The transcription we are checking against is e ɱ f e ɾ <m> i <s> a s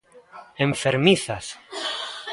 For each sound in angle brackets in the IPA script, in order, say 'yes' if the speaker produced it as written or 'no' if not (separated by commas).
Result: yes, no